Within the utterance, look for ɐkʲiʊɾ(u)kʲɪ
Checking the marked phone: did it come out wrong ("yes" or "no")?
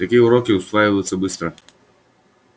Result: yes